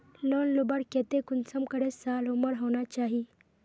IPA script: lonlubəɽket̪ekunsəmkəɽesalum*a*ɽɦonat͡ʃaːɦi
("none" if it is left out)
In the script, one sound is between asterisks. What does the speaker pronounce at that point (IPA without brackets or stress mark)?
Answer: ə